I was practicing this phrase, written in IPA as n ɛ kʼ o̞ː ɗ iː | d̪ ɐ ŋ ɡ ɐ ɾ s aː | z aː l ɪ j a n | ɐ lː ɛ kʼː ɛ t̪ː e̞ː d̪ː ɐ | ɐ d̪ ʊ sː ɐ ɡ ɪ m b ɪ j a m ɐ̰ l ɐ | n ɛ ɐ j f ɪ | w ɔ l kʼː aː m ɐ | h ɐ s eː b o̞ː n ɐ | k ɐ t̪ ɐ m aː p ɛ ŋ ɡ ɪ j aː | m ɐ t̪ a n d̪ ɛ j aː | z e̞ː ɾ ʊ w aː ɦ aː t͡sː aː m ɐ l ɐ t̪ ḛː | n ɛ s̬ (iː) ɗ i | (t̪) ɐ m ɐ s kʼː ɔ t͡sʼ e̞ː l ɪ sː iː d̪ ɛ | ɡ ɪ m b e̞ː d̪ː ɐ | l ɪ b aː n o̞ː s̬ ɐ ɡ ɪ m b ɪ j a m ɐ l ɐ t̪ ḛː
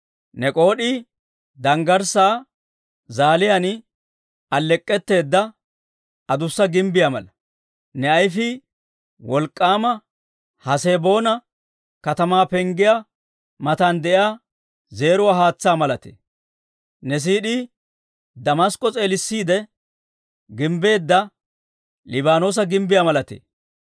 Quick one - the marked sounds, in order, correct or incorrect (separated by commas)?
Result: correct, incorrect